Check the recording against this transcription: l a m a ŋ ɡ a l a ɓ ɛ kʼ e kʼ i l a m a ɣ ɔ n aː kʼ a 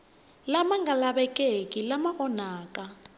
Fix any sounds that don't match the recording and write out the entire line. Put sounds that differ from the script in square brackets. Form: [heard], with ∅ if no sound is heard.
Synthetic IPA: l a m a ŋ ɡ a l a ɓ ɛ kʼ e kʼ i l a m a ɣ ɔ n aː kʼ a